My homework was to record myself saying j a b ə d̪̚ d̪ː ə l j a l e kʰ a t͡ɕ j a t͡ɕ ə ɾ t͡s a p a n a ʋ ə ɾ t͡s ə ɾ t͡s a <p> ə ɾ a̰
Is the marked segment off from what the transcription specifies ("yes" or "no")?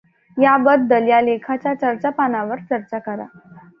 yes